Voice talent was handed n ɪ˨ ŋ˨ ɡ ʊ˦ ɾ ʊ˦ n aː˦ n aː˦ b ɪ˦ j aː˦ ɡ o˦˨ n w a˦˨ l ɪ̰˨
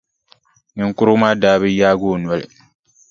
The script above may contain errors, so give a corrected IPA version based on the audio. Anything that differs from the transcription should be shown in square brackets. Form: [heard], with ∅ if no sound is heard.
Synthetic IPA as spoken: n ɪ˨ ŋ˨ [k] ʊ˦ ɾ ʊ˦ [m] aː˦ [d] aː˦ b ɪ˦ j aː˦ ɡ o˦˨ n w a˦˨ l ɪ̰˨